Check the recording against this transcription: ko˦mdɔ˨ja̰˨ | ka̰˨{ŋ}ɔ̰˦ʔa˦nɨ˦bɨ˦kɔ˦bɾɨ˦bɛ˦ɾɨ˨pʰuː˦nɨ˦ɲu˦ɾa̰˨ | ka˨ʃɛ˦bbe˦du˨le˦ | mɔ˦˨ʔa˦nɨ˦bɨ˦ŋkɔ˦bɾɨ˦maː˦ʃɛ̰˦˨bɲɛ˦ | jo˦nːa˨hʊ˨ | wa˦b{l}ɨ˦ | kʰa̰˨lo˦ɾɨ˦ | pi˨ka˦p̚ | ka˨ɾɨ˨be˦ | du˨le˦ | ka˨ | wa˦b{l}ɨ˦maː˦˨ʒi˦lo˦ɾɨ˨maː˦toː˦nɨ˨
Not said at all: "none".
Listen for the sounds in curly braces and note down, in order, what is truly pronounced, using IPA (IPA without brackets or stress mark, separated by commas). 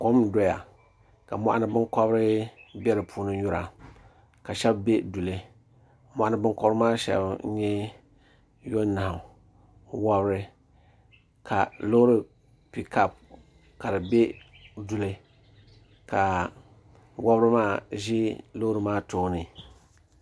m, ɾ, ɾ